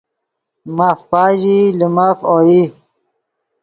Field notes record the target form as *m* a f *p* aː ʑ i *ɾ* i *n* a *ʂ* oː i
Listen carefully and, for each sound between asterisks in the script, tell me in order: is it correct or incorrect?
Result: correct, correct, incorrect, incorrect, incorrect

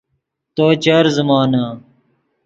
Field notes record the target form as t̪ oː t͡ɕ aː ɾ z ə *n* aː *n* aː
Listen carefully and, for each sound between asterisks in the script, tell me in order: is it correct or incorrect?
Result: incorrect, correct

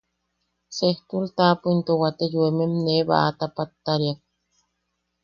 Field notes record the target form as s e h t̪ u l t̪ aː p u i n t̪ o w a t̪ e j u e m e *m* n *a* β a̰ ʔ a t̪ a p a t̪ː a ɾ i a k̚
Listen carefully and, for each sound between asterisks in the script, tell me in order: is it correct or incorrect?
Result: correct, incorrect

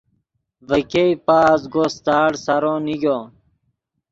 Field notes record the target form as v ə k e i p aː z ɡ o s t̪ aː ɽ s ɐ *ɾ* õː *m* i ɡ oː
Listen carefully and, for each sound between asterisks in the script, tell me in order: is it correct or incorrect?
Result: correct, incorrect

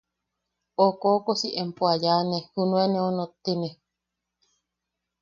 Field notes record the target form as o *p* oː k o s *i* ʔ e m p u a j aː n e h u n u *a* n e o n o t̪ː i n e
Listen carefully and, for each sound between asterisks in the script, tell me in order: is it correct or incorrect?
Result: incorrect, correct, incorrect

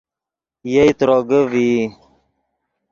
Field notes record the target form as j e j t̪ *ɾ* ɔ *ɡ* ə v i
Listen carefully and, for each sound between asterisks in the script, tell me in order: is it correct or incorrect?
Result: correct, correct

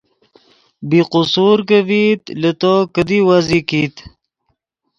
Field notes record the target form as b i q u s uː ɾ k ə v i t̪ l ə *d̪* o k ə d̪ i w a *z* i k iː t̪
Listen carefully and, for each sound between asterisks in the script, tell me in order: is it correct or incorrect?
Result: incorrect, correct

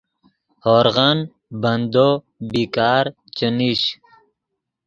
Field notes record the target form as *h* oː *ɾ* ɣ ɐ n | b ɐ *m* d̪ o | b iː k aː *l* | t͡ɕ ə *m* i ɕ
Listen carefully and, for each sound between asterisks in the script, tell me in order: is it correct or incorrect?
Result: correct, correct, incorrect, incorrect, incorrect

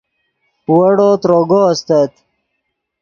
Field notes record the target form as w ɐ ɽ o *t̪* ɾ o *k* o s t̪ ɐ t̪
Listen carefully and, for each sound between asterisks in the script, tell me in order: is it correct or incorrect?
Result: correct, incorrect

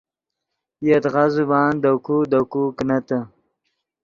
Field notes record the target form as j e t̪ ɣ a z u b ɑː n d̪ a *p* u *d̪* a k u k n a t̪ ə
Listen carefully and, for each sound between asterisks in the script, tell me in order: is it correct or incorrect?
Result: incorrect, correct

